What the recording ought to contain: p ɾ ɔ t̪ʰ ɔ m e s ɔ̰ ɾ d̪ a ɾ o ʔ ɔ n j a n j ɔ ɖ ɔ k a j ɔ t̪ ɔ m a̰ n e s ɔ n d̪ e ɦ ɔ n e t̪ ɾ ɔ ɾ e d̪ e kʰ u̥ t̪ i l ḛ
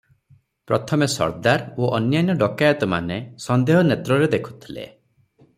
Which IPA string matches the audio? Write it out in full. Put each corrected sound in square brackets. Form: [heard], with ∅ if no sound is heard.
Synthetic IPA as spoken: p ɾ ɔ t̪ʰ ɔ m e s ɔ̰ ɾ d̪ a ɾ o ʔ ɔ n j a n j ɔ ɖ ɔ k a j ɔ t̪ ɔ m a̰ n e s ɔ n d̪ e ɦ ɔ n e t̪ ɾ ɔ ɾ e d̪ e kʰ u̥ [t̪ʰ] i l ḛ